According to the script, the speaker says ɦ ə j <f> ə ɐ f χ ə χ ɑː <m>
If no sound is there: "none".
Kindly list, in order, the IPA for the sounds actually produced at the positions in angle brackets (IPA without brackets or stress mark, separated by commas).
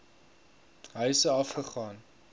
s, n